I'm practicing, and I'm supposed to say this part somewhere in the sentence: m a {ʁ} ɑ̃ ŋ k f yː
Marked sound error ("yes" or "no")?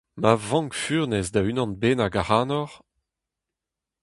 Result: yes